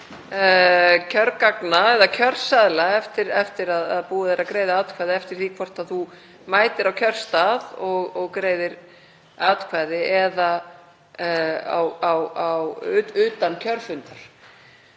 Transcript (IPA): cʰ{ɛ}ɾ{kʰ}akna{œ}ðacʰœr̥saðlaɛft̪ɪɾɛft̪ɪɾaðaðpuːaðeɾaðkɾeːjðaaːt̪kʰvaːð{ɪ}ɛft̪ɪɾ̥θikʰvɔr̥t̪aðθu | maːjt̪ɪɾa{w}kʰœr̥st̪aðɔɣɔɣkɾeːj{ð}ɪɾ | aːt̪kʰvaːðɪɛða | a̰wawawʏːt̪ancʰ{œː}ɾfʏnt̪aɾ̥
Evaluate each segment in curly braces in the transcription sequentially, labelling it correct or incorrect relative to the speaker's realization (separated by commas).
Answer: incorrect, incorrect, incorrect, correct, correct, correct, incorrect